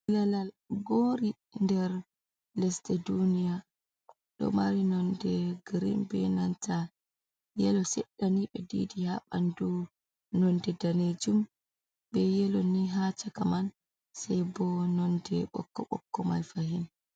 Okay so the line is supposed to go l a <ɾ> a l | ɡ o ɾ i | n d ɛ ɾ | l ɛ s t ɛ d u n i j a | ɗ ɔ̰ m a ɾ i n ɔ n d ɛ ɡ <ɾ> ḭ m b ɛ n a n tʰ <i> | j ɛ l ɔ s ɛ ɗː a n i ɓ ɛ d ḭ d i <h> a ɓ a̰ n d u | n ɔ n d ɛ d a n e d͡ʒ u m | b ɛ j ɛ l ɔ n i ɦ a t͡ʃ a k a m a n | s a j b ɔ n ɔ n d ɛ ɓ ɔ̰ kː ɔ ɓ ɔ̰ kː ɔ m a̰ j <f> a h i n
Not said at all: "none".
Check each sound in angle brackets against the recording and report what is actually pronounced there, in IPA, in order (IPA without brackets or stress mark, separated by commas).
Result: l, ɾ, a, h, f